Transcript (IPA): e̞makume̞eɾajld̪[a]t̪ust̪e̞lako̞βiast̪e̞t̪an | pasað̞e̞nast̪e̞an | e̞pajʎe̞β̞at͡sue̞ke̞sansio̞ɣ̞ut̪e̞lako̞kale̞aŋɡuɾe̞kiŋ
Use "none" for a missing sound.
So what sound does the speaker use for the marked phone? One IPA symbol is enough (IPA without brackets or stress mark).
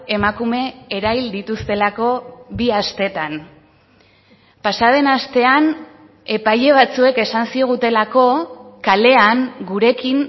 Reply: i